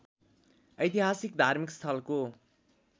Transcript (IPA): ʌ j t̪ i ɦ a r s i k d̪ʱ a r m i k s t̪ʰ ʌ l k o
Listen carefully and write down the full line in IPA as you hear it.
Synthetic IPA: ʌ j t̪ i ɦ a s i k d̪ʱ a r m i k s t̪ʰ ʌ l k o